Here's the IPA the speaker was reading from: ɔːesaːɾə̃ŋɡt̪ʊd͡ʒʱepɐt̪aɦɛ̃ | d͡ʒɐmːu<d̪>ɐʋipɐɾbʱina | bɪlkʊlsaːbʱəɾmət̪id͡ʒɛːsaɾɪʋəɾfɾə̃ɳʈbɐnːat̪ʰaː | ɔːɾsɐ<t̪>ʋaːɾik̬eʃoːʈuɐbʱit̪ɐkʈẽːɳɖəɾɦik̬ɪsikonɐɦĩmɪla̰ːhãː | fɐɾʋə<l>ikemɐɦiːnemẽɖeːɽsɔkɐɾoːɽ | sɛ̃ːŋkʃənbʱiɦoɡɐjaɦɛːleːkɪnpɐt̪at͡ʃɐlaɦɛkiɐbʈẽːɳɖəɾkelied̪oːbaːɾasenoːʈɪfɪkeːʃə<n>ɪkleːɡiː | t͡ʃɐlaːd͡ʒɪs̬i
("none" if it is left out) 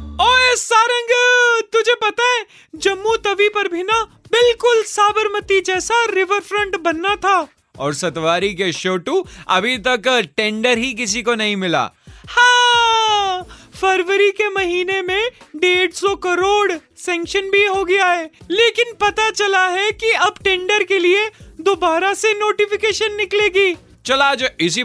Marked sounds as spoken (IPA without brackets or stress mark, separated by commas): t̪, t̪, ɾ, nː